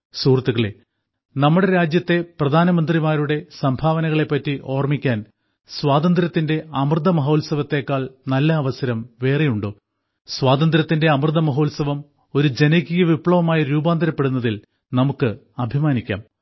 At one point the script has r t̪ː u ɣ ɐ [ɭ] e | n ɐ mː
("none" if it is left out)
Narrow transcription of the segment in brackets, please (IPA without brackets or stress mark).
ɭ